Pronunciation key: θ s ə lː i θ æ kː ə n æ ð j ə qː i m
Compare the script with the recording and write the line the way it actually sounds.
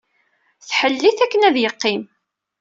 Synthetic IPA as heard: θ ħ ə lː i θ æ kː ə n æ ð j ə qː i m

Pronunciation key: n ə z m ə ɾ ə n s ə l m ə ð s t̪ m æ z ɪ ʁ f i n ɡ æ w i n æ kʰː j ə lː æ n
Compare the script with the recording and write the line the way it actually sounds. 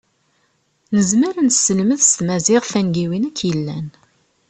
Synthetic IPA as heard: n ə z m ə ɾ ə n s ə l m ə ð s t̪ m æ z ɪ ʁ f æ n ɡ i w i n æ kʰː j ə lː æ n

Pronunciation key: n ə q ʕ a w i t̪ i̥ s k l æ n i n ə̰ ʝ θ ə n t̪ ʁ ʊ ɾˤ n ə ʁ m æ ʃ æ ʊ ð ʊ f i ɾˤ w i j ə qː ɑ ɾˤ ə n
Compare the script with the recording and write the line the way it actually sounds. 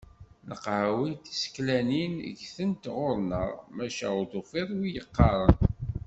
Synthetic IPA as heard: n ə q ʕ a w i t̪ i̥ s k l æ n i n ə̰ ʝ θ ə n t̪ ʁ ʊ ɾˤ n ə ʁ m æ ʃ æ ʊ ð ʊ f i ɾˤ w i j ə qː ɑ ɾˤ ə n

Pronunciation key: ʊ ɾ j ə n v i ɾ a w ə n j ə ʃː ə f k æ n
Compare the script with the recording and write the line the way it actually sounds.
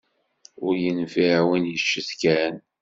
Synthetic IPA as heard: ʊ ɾ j ə n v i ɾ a w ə n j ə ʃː ə θ k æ n

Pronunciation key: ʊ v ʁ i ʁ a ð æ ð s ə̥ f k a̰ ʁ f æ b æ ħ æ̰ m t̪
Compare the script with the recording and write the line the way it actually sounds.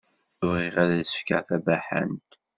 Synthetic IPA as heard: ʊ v ʁ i ʁ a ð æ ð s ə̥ f k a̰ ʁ θ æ b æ ħ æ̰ n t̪

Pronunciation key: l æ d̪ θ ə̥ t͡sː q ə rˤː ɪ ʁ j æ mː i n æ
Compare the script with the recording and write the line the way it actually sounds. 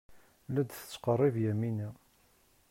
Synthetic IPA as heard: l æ d̪ θ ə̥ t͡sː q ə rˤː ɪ v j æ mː i n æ

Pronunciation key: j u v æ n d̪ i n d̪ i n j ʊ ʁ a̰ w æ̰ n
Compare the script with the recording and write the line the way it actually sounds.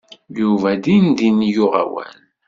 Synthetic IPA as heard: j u v æ d̪ i n d̪ i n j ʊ ʁ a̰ w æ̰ n

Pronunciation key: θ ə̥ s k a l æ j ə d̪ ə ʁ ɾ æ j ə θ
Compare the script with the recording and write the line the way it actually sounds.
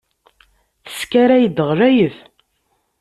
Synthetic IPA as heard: θ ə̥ s k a ɾ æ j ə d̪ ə ʁ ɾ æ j ə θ

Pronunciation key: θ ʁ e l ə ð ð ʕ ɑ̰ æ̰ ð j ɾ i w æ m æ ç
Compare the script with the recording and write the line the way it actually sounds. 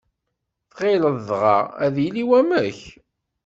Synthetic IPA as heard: θ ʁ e l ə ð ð ʁ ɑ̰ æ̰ ð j l i w æ m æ ç

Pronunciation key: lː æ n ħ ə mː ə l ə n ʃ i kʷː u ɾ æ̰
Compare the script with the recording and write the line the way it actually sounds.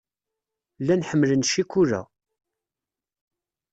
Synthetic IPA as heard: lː æ n ħ ə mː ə l ə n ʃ i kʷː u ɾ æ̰

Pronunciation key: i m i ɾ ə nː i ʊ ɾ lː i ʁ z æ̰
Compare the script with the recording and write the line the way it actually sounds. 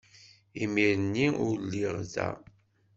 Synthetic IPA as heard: i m i ɾ ə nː i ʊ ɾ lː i ʁ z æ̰

